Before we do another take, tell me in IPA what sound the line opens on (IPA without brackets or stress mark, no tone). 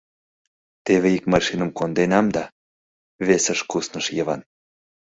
t̪